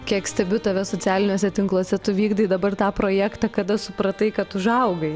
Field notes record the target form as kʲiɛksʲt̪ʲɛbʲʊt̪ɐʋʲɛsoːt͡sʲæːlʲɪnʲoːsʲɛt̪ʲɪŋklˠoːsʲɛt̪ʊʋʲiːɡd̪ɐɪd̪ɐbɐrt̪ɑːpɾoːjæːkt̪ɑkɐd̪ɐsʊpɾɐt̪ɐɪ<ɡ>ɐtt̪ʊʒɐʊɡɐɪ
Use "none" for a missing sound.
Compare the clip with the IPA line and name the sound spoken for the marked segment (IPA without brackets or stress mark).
k